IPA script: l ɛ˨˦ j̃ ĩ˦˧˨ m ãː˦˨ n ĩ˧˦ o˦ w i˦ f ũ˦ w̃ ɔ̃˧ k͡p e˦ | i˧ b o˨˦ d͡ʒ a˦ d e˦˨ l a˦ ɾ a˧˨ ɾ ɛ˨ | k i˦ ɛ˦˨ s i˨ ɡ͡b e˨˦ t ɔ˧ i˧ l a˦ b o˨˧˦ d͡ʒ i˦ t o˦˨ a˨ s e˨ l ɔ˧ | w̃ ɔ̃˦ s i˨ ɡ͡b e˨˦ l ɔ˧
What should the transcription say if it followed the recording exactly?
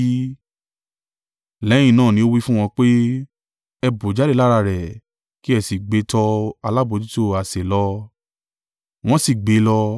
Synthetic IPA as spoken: l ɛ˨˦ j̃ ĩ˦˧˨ n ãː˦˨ n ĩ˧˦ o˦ w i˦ f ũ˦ w̃ ɔ̃˧ k͡p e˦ | ɛ˧ b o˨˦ d͡ʒ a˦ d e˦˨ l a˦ ɾ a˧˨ ɾ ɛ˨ | k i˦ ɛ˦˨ s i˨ ɡ͡b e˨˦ t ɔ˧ a˧ l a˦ b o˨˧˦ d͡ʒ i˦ t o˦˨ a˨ s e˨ l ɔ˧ | w̃ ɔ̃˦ s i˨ ɡ͡b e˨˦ l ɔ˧